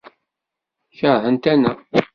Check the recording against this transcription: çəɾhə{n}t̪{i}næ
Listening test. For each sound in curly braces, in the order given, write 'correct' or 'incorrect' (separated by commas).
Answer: correct, incorrect